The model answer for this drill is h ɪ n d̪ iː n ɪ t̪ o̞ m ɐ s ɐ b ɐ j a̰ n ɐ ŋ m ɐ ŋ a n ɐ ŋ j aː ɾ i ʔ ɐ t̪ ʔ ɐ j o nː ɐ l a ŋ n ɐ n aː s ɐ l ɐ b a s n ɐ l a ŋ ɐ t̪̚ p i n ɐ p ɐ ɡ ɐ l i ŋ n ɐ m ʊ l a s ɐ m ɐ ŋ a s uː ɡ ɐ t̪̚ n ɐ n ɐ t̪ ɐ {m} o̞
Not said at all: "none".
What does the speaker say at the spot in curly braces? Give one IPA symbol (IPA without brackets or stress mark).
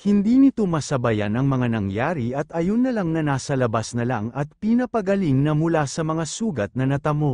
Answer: m